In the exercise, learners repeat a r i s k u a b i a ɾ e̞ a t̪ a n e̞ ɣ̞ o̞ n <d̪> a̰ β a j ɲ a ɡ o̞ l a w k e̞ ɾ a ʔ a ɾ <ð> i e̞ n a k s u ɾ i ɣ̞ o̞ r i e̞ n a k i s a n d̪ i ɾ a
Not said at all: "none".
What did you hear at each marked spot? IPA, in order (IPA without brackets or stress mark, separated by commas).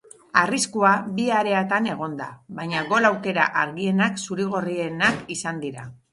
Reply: d̪, ɣ